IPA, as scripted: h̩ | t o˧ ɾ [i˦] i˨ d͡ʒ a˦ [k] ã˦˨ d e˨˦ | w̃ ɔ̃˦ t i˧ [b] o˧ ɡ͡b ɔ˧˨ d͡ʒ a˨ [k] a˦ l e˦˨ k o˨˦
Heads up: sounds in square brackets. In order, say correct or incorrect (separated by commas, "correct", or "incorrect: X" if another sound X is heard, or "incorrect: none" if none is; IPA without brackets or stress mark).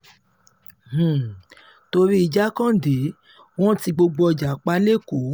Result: correct, correct, incorrect: ɡ͡b, incorrect: k͡p